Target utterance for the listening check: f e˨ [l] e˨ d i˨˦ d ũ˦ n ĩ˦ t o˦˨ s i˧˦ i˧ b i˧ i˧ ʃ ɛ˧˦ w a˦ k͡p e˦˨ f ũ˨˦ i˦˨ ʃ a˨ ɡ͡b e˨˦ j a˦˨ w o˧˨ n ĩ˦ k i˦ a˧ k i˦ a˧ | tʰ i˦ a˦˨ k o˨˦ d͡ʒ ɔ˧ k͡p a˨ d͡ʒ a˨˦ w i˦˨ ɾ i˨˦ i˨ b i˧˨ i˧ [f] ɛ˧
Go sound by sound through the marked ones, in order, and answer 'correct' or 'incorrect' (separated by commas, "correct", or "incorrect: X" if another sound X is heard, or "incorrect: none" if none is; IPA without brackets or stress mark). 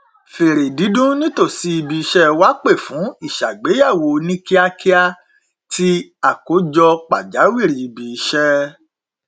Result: incorrect: ɾ, incorrect: ʃ